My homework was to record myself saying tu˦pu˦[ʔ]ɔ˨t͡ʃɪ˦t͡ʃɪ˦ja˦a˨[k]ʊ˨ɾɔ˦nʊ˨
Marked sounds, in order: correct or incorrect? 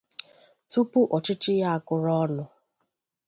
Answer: correct, correct

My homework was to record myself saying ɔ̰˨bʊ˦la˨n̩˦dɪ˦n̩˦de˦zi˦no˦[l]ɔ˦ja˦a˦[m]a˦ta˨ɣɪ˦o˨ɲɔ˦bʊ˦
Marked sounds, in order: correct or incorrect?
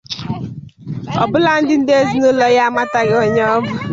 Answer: correct, correct

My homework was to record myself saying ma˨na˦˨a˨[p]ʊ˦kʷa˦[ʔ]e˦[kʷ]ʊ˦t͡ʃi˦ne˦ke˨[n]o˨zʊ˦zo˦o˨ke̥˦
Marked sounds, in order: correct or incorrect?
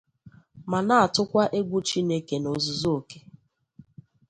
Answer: incorrect: t, correct, incorrect: ɡʷ, correct

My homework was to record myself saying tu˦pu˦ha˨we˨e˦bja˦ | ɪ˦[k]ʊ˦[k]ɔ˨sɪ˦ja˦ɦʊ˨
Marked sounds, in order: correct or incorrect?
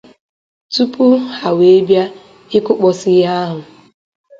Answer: correct, incorrect: k͡p

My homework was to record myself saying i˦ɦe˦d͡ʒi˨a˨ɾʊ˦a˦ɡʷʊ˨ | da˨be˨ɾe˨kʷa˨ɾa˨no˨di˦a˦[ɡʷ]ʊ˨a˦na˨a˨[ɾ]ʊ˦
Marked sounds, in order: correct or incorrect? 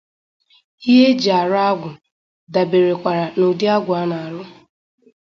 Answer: correct, correct

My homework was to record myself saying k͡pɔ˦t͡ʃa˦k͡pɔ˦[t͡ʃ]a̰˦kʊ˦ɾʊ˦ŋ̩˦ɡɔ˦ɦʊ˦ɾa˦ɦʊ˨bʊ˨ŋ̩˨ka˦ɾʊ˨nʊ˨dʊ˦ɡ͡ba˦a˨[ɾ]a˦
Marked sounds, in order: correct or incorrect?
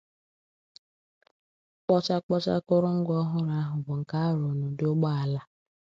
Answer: correct, incorrect: l

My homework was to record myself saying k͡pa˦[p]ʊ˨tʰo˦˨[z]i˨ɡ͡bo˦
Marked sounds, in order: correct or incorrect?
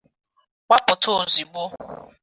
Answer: correct, correct

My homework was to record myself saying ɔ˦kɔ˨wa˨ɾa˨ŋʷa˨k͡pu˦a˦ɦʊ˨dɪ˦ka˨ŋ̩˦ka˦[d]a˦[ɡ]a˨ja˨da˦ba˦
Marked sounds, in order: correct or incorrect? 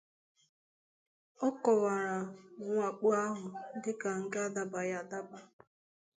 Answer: correct, incorrect: b

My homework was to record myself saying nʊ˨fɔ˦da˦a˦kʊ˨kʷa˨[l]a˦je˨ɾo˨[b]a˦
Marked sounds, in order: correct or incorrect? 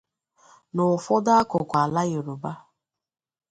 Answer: correct, correct

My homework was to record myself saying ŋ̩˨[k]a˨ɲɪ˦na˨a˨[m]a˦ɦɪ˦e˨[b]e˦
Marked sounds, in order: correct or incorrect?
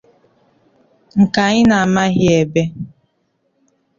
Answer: correct, correct, correct

